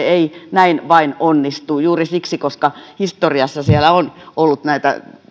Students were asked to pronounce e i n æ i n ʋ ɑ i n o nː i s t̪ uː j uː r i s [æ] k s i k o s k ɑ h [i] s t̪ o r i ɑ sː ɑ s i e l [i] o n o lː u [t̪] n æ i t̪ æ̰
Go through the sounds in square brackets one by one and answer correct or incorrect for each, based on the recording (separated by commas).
incorrect, correct, incorrect, correct